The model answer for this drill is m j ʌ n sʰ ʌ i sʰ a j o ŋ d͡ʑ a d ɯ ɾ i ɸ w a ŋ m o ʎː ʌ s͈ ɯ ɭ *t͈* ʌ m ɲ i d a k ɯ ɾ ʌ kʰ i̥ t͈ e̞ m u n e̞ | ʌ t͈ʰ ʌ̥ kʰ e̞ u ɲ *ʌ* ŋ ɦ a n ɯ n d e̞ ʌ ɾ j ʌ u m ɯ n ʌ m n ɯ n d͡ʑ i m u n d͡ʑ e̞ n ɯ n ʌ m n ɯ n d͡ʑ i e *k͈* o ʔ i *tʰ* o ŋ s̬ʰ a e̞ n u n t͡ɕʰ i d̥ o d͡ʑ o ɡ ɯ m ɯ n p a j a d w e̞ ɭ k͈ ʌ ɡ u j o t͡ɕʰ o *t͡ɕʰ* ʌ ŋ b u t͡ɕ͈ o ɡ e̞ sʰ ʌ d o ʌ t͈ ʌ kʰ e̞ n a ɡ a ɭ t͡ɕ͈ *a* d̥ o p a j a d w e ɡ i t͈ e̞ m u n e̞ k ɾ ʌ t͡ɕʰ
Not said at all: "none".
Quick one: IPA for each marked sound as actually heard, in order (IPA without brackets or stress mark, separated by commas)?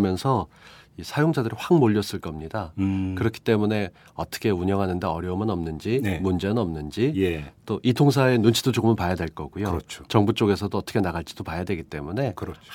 k͈, ʌ, t͈, tʰ, t͡ɕ, i